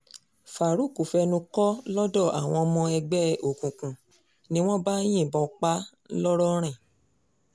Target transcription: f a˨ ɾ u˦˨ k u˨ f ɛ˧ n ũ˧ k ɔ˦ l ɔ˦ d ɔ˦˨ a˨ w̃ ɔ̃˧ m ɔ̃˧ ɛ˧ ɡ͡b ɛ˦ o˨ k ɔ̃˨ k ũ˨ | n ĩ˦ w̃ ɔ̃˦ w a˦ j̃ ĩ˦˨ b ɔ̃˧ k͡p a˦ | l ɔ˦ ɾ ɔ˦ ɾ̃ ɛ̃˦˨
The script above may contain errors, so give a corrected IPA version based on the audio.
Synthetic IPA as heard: f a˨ ɾ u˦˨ k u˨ f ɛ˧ n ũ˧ k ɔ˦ l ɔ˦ d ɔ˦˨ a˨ w̃ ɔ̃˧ m ɔ̃˧ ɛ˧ ɡ͡b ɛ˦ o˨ k ũ˨ k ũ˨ | n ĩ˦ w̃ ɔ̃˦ b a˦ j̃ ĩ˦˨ b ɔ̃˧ k͡p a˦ | l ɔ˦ ɾ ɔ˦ ɾ̃ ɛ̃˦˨